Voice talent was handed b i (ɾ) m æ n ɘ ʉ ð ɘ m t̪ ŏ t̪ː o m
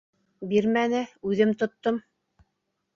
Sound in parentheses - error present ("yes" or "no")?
no